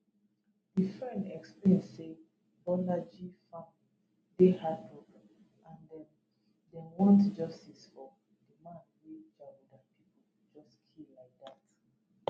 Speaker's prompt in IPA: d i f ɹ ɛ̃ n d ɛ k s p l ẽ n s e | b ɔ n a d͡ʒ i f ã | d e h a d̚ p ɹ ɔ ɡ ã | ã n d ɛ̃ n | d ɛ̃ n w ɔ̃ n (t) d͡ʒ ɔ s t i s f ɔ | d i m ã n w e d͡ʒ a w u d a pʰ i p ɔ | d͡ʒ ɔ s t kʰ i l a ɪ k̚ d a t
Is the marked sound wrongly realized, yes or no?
no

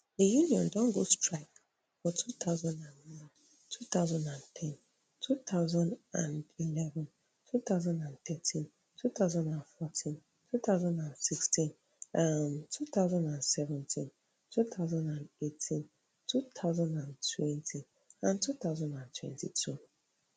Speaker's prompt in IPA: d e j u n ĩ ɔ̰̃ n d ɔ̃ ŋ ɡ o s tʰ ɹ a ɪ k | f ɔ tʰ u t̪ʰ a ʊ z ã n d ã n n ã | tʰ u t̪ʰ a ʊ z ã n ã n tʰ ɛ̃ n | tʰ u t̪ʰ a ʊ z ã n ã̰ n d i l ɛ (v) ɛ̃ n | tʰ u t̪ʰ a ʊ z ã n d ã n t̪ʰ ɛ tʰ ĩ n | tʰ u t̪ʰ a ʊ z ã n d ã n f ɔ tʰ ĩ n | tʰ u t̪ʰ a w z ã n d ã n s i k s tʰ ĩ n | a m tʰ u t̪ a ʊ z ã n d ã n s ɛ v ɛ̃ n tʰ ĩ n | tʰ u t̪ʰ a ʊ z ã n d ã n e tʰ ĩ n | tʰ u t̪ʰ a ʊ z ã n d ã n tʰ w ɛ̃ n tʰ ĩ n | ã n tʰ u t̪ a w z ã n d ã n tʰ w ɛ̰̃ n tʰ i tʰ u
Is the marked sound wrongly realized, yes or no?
no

